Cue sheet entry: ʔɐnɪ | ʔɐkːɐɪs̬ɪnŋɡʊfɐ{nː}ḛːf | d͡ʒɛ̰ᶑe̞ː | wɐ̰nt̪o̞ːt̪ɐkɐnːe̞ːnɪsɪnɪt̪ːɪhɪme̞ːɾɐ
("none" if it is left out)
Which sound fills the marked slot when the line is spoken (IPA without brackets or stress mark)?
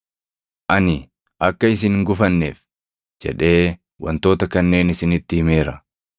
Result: nː